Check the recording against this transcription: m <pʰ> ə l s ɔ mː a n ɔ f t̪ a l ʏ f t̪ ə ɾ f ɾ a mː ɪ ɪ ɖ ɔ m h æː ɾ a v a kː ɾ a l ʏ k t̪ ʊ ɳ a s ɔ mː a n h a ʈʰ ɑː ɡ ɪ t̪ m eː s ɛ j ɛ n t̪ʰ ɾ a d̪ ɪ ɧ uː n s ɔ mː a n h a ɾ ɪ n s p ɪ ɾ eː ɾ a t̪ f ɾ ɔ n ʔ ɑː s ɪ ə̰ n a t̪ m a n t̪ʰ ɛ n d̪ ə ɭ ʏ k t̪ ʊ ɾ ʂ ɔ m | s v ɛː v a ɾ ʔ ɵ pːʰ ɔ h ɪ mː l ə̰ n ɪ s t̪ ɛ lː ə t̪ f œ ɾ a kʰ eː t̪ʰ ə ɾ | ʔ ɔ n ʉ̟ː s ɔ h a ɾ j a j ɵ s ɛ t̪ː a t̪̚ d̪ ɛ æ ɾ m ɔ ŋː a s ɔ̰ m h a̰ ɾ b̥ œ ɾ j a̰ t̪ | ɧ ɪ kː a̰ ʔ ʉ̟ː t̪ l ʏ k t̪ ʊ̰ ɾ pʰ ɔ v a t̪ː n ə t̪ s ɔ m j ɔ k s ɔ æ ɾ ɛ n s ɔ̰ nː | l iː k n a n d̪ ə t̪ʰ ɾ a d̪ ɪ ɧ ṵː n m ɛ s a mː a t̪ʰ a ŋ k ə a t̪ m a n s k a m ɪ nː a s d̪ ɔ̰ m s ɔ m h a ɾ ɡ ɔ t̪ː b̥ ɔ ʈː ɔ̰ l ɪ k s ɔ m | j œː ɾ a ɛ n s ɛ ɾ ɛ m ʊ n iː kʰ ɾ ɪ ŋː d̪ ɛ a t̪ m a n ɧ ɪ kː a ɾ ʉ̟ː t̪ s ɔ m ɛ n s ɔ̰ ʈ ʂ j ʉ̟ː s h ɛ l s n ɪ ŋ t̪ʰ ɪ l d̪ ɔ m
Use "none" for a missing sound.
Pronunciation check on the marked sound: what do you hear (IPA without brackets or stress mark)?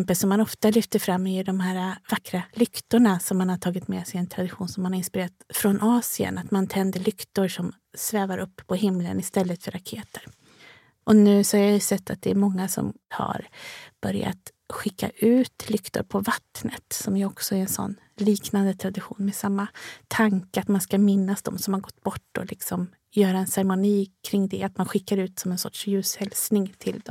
p